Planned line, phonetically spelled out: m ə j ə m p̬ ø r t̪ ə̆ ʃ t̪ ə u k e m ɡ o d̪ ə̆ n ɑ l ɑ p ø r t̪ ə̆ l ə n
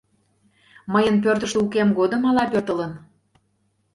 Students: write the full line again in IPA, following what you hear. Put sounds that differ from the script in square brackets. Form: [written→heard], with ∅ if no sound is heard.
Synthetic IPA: m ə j ə [m→n] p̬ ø r t̪ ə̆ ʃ t̪ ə u k e m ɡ o d̪ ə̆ [n→m] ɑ l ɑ p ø r t̪ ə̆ l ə n